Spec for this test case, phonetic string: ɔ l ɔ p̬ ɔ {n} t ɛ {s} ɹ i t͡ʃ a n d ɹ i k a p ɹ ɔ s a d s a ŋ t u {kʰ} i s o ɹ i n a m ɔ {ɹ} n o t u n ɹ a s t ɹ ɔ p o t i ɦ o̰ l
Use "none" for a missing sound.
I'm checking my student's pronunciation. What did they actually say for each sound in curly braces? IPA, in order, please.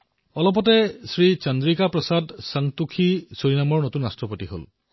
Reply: none, s, kʰ, ɹ

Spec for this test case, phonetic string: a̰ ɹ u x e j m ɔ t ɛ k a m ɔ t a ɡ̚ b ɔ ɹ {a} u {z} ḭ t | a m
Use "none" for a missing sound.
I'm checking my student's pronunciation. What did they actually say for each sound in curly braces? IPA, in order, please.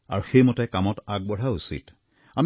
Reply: a, s

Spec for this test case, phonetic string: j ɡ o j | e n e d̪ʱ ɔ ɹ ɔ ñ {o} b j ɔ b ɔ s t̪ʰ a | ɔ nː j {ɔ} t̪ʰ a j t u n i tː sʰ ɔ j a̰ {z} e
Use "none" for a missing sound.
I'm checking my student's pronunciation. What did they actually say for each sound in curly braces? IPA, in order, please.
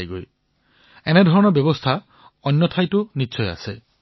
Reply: ɔ, ɔ, s

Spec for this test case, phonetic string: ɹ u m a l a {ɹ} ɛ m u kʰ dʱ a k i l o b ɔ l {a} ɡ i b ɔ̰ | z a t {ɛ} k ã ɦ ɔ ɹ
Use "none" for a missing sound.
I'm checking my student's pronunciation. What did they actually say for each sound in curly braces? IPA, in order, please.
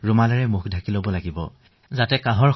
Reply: ɹ, a, ɛ

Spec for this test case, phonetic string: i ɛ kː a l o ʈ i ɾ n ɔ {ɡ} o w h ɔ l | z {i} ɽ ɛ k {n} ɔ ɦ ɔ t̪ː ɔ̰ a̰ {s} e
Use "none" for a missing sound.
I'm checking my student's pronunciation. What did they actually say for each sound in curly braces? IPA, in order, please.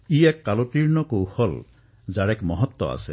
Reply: k, a, m, s

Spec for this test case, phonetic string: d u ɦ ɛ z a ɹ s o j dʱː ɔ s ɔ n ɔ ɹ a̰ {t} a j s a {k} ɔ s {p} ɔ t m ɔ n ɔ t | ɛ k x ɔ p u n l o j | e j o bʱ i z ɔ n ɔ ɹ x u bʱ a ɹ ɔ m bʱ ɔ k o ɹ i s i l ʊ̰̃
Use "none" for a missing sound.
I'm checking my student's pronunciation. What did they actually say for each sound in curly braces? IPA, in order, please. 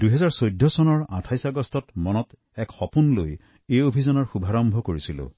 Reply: tʰ, ɡ, t

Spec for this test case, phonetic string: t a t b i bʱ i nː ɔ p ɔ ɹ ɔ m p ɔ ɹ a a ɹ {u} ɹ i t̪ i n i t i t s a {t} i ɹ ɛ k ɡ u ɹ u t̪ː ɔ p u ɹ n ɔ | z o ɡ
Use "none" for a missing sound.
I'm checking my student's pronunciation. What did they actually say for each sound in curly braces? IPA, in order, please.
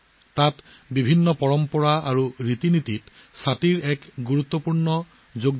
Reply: u, t

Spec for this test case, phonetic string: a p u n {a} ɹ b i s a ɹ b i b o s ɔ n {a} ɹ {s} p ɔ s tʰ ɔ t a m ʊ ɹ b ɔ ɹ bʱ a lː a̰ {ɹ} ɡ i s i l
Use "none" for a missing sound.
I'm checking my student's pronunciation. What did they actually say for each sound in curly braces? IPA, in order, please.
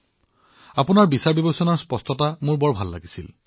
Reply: a, a, s, none

